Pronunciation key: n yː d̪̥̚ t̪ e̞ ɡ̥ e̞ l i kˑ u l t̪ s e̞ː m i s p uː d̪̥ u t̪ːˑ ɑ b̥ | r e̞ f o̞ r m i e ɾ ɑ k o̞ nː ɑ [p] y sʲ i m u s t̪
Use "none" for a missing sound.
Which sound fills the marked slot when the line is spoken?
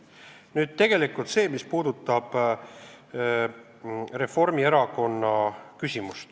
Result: k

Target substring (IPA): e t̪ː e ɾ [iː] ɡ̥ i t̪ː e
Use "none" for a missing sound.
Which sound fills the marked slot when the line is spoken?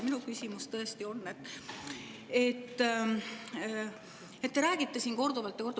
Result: æː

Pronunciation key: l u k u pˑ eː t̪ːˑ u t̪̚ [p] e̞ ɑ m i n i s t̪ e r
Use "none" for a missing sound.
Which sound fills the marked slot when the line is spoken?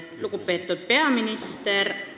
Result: p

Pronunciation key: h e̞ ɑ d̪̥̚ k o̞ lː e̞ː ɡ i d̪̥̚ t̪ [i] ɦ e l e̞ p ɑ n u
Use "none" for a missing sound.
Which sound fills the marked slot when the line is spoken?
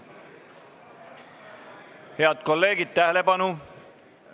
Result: æ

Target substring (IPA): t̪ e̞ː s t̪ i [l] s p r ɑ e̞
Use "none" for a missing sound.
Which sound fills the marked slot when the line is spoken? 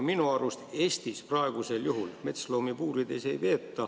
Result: none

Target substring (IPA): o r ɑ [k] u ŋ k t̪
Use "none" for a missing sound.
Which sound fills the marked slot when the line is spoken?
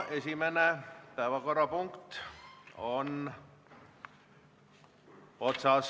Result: p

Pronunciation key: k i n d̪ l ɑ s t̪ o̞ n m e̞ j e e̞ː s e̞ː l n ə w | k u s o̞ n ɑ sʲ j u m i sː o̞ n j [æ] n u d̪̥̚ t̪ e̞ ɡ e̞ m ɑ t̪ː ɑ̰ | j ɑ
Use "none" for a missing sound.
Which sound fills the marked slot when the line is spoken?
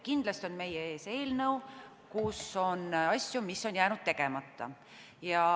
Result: æː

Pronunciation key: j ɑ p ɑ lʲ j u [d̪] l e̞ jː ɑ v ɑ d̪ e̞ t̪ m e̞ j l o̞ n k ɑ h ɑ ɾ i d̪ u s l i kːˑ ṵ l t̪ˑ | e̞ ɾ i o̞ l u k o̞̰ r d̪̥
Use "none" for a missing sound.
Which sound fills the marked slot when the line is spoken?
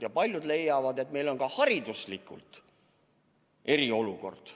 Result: d̪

